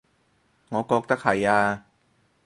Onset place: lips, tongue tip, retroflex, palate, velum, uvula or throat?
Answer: velum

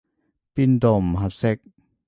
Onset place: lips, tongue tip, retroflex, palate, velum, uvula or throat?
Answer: lips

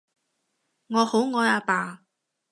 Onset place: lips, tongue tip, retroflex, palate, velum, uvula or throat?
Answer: velum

